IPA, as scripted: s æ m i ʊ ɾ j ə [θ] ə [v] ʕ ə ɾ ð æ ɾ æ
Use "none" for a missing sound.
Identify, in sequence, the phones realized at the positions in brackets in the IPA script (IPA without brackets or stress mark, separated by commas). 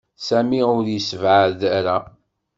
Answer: s, v